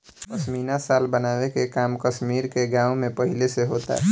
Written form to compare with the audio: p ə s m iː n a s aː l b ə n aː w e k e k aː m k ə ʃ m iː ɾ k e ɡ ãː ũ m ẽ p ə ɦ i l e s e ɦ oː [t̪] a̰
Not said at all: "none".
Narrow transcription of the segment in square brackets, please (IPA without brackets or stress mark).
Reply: t̪